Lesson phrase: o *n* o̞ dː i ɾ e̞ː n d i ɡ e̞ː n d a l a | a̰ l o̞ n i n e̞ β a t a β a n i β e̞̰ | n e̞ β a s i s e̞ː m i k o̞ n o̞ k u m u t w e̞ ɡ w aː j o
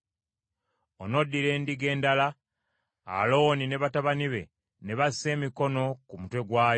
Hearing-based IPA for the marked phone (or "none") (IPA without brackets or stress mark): n